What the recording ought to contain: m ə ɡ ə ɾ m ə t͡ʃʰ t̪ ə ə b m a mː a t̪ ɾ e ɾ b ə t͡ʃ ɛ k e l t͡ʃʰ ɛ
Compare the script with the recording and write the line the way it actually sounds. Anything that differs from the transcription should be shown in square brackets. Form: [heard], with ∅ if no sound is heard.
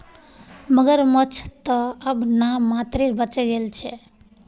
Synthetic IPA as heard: m ə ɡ ə ɾ m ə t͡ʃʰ t̪ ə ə b [n] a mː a t̪ ɾ e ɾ b ə t͡ʃ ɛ [ɡ] e l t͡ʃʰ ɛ